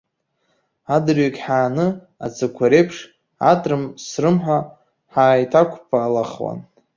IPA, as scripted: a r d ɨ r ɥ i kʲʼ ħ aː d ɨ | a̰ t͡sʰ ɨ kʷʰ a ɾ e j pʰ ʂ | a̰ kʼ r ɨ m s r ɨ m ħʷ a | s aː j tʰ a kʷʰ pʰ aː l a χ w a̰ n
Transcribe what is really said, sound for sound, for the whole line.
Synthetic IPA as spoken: a d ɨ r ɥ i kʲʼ ħ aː n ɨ | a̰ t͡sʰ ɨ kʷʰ a ɾ e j pʰ ʂ | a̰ tʼ r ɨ m s r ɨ m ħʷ a | ħ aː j tʰ a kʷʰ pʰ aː l a χ w a̰ n